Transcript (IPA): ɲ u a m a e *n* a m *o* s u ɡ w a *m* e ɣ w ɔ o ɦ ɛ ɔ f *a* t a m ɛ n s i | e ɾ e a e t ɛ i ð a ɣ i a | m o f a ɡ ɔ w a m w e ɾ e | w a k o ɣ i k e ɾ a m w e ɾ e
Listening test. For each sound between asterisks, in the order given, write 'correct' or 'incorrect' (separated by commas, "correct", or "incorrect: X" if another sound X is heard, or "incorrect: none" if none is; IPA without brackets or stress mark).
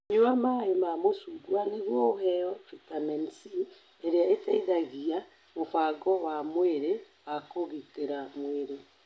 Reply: incorrect: m, correct, incorrect: n, incorrect: i